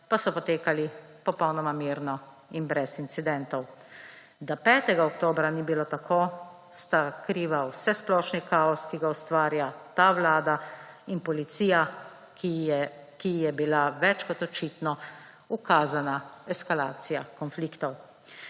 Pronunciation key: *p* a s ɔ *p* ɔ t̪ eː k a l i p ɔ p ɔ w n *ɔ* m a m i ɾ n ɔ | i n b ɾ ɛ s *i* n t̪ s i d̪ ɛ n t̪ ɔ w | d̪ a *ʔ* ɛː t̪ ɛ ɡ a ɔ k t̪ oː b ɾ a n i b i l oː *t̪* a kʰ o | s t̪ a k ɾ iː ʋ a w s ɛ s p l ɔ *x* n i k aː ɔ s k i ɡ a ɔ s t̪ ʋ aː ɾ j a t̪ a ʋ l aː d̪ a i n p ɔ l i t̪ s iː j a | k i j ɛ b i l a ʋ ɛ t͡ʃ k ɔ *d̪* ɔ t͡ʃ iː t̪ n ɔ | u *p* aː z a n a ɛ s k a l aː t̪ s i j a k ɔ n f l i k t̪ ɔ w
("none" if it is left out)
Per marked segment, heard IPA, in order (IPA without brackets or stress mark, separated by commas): p, p, ɔ, i, p, t̪, ʃ, t̪, k